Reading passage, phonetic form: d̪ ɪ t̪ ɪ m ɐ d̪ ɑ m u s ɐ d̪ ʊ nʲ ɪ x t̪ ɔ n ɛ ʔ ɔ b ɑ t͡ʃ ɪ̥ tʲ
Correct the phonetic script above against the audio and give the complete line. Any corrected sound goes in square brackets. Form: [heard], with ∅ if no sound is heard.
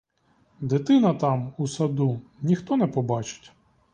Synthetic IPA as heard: d̪ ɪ t̪ ɪ [n] ɐ [t̪] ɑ m u s ɐ d̪ [u] nʲ [i] x t̪ ɔ n ɛ [p] ɔ b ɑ t͡ʃ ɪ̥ tʲ

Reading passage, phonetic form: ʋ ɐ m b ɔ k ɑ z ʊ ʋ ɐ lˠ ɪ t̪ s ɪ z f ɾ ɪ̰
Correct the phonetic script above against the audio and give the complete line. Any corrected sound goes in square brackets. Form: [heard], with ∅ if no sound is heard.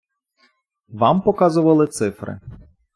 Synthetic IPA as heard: ʋ [ɑ] m [p] ɔ k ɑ z ʊ ʋ ɐ lˠ ɪ t̪ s ɪ [∅] f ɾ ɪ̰

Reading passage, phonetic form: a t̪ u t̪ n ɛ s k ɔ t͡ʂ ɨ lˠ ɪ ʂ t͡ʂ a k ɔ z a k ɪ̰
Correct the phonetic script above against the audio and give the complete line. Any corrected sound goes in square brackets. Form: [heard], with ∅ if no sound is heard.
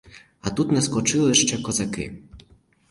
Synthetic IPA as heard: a t̪ u t̪ n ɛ s k ɔ t͡ʂ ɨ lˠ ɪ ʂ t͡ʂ [ɛ] k ɔ z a k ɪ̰

